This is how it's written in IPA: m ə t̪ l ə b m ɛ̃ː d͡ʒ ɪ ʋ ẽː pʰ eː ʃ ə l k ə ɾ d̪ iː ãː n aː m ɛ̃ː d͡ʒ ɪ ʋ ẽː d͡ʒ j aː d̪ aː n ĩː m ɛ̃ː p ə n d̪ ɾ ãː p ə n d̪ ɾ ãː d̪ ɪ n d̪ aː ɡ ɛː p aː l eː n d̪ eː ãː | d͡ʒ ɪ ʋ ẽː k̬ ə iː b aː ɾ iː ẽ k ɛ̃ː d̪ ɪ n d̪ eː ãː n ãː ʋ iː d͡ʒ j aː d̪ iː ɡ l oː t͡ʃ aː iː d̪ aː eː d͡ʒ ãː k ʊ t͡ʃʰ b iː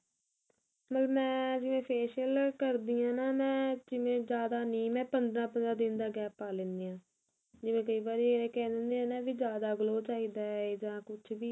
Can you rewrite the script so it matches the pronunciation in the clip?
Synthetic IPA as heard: m ə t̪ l ə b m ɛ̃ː d͡ʒ ɪ ʋ ẽː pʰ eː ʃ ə l k ə ɾ d̪ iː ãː n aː m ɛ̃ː d͡ʒ ɪ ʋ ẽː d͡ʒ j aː d̪ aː n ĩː m ɛ̃ː p ə n d̪ ɾ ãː p ə n d̪ ɾ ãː d̪ ɪ n d̪ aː ɡ ɛː p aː l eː n d̪ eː ãː | d͡ʒ ɪ ʋ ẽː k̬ ə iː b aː ɾ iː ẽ k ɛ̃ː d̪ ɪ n d̪ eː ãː n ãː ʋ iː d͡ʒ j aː d̪ aː ɡ l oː t͡ʃ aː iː d̪ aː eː d͡ʒ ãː k ʊ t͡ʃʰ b iː